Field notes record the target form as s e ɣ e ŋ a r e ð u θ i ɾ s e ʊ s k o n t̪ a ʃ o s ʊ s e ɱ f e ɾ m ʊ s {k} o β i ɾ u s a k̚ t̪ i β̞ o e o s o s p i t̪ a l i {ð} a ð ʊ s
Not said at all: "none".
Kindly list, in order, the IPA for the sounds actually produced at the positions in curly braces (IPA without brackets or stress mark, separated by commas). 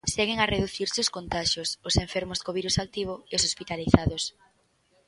k, θ